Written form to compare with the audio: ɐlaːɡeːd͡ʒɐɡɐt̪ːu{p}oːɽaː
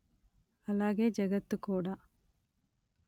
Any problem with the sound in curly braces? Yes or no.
yes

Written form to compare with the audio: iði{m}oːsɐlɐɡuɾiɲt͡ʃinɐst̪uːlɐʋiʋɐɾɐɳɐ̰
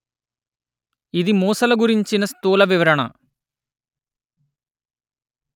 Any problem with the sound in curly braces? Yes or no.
no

